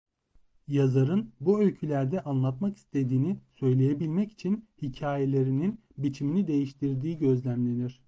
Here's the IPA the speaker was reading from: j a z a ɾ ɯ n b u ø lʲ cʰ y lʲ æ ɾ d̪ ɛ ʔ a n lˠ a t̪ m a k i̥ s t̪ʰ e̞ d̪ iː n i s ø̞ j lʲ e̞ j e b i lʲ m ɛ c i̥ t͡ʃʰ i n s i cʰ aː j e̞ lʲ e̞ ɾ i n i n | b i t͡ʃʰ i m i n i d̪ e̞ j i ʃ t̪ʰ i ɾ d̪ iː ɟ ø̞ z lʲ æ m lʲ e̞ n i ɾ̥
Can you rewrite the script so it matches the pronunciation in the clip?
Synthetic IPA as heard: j a z a ɾ ɯ n b u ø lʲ cʰ y lʲ æ ɾ d̪ ɛ ʔ a n lˠ a t̪ m a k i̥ s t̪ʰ e̞ d̪ iː n i s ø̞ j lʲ e̞ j e b i lʲ m ɛ c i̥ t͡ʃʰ i n h i cʰ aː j e̞ lʲ e̞ ɾ i n i n | b i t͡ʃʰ i m i n i d̪ e̞ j i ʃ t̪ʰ i ɾ d̪ iː ɟ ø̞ z lʲ æ m lʲ e̞ n i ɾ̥

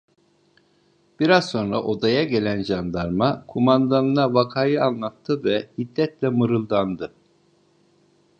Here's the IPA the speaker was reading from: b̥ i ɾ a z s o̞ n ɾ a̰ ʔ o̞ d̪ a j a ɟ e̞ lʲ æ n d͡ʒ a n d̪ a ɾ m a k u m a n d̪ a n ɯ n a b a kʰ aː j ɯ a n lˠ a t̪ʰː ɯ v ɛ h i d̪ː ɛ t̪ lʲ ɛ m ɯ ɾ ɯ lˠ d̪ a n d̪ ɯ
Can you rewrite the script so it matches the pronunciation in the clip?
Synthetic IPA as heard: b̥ i ɾ a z s o̞ n ɾ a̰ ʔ o̞ d̪ a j a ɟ e̞ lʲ æ n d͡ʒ a n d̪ a ɾ m a kʰ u m a n d̪ a n ɯ n a v a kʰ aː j ɯ a n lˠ a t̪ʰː ɯ v ɛ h i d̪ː ɛ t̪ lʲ ɛ m ɯ ɾ ɯ lˠ d̪ a n d̪ ɯ

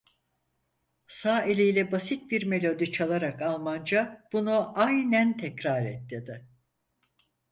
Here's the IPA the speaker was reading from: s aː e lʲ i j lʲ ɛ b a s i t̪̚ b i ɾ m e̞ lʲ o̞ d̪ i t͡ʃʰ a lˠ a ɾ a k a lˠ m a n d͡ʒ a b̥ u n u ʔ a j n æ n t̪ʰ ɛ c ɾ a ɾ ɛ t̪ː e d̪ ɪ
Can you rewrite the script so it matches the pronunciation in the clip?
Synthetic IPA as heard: s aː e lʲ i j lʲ ɛ b a s i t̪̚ b i ɾ m e̞ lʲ o̞ d̪ i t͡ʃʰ a lˠ a ɾ a k a lˠ m a n d͡ʒ a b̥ u n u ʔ a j n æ n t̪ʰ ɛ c ɾ a ɾ ɛ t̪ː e d̪ ɪ

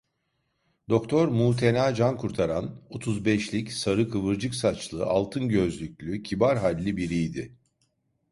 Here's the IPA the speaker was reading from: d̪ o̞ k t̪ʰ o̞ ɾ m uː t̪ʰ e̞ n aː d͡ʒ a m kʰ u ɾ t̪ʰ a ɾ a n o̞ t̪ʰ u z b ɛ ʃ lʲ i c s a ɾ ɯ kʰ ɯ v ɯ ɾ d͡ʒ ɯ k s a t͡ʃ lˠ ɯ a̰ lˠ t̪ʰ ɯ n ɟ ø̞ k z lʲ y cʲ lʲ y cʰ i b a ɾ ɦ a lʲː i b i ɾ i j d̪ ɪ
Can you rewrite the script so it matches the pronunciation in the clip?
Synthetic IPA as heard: d̪ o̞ k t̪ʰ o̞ ɾ m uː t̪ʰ e̞ n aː d͡ʒ a n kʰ u ɾ t̪ʰ a ɾ a n o̞ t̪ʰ u z b ɛ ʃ lʲ i c s a ɾ ɯ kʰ ɯ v ɯ ɾ d͡ʒ ɯ k s a t͡ʃ lˠ ɯ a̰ lˠ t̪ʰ ɯ n ɟ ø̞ z lʲ y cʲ lʲ y cʰ i b a ɾ ɦ a lʲː i b i ɾ i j d̪ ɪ

